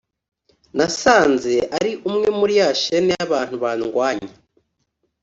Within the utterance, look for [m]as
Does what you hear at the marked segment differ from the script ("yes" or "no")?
yes